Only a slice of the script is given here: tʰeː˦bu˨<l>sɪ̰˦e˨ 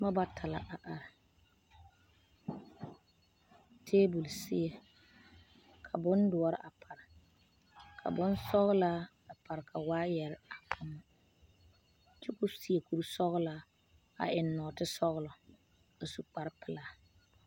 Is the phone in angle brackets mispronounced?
no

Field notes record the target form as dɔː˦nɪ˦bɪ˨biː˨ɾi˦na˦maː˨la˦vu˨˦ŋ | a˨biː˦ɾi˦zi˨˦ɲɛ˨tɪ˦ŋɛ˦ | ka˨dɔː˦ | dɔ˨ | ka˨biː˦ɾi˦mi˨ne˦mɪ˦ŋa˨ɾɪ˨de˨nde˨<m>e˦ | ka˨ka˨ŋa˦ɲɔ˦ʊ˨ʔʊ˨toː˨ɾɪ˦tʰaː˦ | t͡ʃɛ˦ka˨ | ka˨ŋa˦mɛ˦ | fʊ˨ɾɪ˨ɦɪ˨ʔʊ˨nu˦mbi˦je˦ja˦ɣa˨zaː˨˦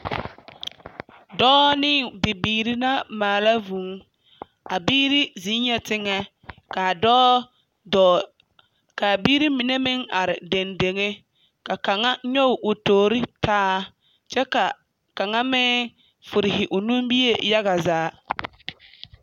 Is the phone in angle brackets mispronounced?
yes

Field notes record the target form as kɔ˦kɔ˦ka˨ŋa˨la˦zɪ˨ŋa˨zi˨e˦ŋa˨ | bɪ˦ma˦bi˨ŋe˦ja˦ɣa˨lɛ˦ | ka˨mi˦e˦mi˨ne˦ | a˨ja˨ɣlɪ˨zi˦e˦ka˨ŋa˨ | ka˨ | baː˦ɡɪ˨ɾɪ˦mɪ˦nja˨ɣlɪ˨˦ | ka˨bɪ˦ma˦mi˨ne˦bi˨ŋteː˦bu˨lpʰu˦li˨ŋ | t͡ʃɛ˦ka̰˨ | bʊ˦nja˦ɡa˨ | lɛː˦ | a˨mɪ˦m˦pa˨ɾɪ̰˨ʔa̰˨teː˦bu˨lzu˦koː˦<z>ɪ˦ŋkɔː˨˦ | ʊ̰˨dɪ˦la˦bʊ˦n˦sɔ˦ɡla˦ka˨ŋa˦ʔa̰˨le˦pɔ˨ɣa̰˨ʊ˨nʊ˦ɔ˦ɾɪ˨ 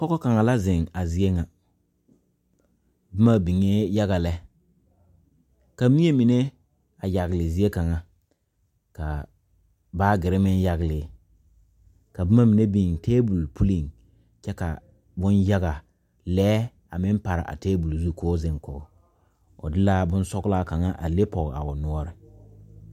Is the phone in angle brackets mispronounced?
no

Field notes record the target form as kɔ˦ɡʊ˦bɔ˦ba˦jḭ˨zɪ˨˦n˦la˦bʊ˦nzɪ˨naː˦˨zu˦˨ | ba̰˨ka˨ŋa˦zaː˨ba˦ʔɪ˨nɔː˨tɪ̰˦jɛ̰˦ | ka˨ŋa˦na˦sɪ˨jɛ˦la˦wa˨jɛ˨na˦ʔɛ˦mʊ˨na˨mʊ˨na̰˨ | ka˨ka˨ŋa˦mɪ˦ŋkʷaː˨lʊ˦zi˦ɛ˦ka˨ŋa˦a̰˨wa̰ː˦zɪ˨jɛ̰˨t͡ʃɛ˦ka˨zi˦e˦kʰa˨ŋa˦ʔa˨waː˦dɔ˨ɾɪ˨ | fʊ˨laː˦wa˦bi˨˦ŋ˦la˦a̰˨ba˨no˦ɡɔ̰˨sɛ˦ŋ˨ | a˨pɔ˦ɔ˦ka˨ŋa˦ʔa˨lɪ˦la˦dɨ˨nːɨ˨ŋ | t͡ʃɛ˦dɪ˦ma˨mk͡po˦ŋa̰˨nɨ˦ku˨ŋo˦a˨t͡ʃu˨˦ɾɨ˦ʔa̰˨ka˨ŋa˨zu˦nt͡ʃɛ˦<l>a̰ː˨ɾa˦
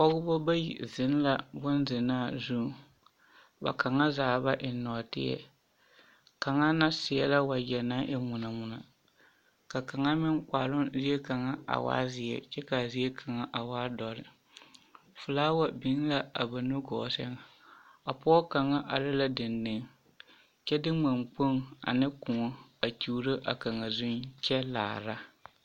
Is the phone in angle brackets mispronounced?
no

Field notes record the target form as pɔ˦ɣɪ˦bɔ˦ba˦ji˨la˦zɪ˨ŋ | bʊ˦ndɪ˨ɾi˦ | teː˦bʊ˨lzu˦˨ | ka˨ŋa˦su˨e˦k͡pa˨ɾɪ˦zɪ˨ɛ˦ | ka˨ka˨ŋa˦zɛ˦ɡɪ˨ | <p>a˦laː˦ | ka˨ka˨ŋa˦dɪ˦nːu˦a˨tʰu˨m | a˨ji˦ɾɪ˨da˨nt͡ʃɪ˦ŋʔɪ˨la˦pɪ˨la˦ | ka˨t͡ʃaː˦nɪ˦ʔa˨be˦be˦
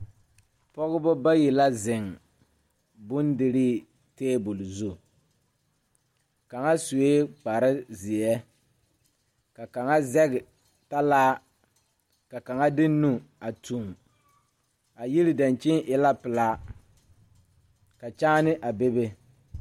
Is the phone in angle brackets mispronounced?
yes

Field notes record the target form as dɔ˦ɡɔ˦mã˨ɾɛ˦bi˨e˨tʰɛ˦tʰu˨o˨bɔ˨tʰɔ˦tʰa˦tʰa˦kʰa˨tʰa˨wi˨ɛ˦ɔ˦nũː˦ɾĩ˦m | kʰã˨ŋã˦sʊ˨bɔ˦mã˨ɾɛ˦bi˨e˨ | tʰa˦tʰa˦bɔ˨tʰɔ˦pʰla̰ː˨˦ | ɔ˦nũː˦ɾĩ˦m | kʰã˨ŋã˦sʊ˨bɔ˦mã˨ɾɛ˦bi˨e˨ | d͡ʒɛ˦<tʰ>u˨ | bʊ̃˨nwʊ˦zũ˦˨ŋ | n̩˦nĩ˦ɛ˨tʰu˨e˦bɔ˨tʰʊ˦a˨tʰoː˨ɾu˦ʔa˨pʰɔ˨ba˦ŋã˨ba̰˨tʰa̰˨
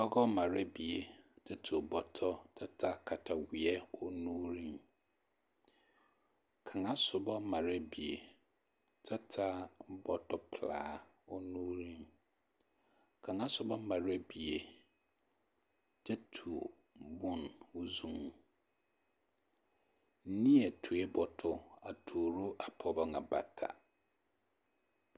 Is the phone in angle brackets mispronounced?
no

